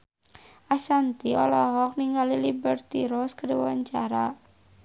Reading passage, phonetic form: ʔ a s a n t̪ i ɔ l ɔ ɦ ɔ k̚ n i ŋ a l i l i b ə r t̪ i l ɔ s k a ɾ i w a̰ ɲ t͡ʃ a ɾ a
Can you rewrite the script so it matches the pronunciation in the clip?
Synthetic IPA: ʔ a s a n t̪ i ɔ l ɔ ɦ ɔ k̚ n i ŋ a l i l i b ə r t̪ i ɾ ɔ s k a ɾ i w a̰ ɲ t͡ʃ a ɾ a